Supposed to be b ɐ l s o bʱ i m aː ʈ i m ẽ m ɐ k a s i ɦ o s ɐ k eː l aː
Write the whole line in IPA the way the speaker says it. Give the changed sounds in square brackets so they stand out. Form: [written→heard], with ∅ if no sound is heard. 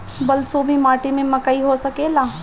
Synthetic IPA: b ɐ l s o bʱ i m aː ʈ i m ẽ m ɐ k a [s→∅] i ɦ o s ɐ k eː l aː